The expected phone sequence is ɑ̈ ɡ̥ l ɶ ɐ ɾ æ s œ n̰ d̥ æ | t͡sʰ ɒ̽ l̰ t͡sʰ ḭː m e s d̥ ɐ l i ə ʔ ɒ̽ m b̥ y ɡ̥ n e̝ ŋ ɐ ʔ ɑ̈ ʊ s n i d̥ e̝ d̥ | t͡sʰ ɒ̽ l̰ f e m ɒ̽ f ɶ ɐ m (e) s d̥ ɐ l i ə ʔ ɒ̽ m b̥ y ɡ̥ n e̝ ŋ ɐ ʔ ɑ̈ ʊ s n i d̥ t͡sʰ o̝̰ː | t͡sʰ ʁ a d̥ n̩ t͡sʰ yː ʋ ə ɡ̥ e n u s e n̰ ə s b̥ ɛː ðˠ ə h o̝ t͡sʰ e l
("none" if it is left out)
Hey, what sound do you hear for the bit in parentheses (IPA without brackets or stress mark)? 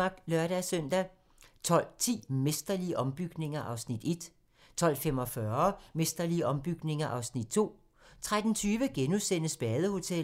e